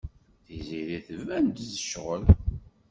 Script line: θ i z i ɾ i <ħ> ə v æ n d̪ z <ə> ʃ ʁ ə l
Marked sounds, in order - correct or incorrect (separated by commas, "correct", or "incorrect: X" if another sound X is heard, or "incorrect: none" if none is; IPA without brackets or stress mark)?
incorrect: θ, correct